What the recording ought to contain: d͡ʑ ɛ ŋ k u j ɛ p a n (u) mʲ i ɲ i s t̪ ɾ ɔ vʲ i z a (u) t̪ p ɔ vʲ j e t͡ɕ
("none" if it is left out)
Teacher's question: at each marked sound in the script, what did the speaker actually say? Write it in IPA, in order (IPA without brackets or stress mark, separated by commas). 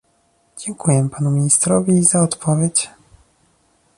u, ɔ